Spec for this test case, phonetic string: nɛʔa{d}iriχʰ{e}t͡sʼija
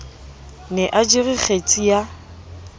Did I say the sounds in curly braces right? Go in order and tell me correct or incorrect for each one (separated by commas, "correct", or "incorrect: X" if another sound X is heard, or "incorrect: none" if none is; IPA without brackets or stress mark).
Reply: incorrect: d͡ʒ, correct